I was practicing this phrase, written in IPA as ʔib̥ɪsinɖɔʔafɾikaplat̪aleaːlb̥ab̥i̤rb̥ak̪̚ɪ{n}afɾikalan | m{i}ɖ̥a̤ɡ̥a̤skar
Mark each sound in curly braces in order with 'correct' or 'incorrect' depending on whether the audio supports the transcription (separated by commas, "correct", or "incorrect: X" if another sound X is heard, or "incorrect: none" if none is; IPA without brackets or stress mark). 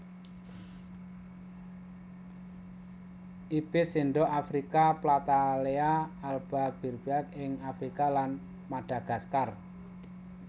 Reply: incorrect: ŋ, incorrect: a